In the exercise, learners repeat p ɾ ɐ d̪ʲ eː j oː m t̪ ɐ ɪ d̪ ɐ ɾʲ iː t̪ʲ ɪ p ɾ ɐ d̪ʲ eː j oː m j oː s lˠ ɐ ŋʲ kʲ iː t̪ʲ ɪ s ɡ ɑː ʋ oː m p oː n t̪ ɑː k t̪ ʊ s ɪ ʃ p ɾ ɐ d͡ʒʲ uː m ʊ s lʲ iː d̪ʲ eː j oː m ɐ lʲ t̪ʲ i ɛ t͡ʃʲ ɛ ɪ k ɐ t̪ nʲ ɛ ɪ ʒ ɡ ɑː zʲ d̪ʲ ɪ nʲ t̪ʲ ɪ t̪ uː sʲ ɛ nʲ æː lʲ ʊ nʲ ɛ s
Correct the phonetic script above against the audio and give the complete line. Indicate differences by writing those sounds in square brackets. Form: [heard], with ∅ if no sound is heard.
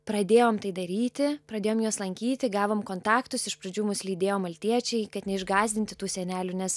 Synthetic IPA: p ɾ ɐ d̪ʲ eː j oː m t̪ ɐ ɪ d̪ ɐ ɾʲ iː t̪ʲ ɪ p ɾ ɐ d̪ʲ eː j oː m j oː s lˠ ɐ ŋʲ kʲ iː t̪ʲ ɪ [∅] ɡ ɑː ʋ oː m [k] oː n t̪ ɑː k t̪ ʊ s ɪ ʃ p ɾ ɐ d͡ʒʲ uː m ʊ s lʲ iː d̪ʲ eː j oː m ɐ lʲ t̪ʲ i ɛ t͡ʃʲ ɛ ɪ k ɐ t̪ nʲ ɛ ɪ ʒ ɡ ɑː zʲ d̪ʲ ɪ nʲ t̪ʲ ɪ t̪ uː sʲ ɛ nʲ æː lʲ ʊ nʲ ɛ s